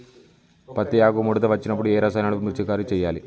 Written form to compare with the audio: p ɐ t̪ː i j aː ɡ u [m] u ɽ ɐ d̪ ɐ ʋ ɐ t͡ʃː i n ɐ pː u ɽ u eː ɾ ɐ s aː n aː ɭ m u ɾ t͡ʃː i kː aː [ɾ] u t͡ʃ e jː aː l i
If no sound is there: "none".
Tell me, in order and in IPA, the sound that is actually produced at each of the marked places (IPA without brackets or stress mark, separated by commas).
m, ɾ